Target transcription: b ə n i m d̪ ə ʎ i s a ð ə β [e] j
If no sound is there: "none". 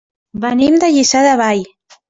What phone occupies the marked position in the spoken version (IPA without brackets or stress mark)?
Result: a